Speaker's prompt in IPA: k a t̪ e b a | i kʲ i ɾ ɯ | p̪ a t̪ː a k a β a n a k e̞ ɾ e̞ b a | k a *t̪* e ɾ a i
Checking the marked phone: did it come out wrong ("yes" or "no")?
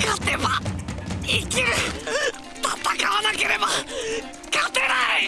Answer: no